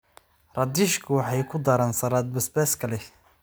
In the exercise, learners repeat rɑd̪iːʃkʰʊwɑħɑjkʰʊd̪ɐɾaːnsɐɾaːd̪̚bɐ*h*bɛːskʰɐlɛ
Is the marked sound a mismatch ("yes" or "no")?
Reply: yes